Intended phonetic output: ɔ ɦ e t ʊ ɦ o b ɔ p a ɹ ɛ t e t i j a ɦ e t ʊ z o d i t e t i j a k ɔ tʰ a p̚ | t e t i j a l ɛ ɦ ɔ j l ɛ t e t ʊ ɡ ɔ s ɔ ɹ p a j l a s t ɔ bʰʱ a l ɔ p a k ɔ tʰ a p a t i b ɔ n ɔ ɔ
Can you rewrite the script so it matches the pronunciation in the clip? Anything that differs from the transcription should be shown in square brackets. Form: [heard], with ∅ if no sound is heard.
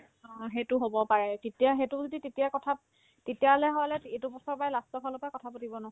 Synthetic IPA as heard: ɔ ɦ e t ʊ ɦ o b ɔ p a ɹ ɛ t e t i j a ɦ e t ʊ z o d i t e t i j a k ɔ tʰ a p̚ | t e t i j a l ɛ ɦ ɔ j l ɛ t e t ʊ [b] ɔ s ɔ ɹ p a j l a s t ɔ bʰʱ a l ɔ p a k ɔ tʰ a p a t i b ɔ n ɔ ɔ